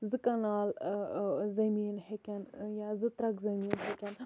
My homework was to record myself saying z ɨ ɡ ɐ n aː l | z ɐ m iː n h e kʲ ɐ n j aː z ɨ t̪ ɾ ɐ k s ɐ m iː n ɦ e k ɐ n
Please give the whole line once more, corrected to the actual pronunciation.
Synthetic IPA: z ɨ k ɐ n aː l | z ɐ m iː n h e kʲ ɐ n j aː z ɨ t̪ ɾ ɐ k z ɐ m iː n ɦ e k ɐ n